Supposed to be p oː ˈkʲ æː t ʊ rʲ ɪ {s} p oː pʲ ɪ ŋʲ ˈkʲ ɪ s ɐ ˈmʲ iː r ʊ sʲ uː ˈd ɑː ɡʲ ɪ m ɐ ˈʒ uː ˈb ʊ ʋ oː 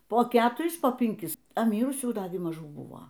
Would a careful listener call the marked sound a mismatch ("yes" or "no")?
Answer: no